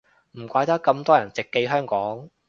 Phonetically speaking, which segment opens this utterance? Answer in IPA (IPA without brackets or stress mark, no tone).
m̩